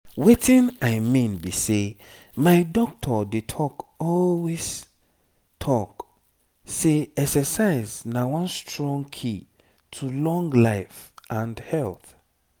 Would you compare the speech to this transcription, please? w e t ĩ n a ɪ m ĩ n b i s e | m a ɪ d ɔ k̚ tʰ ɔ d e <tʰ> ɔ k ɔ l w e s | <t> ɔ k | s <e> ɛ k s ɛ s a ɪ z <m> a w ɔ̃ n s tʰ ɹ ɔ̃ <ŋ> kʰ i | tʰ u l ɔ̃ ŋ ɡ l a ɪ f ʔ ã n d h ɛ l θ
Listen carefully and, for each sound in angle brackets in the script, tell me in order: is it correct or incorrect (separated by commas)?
correct, incorrect, correct, incorrect, correct